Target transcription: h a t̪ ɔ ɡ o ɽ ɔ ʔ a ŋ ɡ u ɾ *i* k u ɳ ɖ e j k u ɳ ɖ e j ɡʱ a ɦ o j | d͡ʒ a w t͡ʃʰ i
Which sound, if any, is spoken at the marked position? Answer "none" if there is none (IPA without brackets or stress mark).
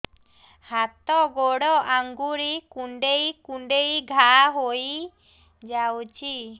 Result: i